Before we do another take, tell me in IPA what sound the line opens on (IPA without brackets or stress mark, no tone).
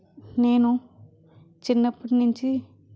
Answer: n